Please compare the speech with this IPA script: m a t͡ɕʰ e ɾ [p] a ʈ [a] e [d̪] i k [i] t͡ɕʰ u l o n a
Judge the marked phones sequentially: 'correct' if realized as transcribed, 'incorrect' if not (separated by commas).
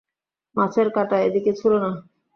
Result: incorrect, correct, correct, incorrect